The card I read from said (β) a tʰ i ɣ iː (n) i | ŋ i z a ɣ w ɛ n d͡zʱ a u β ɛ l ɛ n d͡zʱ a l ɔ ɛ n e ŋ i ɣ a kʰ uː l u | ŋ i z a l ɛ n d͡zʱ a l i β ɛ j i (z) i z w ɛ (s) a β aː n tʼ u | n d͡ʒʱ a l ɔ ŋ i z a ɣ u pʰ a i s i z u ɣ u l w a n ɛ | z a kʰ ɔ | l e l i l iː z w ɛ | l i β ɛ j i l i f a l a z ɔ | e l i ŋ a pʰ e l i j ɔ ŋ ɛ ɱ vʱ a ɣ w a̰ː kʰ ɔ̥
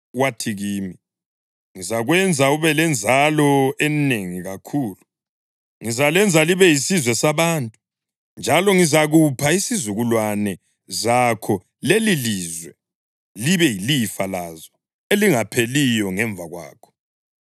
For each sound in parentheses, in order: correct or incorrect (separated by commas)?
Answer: incorrect, incorrect, incorrect, correct